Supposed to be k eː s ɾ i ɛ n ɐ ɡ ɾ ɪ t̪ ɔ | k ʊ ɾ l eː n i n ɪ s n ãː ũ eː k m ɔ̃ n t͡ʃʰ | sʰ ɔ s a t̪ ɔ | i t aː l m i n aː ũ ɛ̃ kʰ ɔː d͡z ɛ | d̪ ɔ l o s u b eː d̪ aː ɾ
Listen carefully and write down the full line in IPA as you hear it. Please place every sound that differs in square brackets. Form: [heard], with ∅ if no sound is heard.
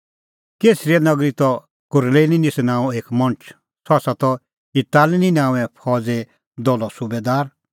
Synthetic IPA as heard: k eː s ɾ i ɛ n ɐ ɡ ɾ [i] t̪ ɔ | k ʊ ɾ l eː n i n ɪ s n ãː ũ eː k m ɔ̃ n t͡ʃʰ | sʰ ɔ s a t̪ ɔ | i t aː l [n] i n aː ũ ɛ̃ [pʰ] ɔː d͡z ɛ | d̪ ɔ l [ɔ] s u b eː d̪ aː ɾ